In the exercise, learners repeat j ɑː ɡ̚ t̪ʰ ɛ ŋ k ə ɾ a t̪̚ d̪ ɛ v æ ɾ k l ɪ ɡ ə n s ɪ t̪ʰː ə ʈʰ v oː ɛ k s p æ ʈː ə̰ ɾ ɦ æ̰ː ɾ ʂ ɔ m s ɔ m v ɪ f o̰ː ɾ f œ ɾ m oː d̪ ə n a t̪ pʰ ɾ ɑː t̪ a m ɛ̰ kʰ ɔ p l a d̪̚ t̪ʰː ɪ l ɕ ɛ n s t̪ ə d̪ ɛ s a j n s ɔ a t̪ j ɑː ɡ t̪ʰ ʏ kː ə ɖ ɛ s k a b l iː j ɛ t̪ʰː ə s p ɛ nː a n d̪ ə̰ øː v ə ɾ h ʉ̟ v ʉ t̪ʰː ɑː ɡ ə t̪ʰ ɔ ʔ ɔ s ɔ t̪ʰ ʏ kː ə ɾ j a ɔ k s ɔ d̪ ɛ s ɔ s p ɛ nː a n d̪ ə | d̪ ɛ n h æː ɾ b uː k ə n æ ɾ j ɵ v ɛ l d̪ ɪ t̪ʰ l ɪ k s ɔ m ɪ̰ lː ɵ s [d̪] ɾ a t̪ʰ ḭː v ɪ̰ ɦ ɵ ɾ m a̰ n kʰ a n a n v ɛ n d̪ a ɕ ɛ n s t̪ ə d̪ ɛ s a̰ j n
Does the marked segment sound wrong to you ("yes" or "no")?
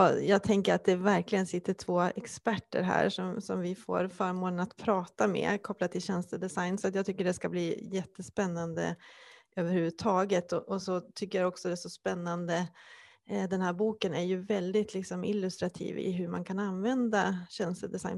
yes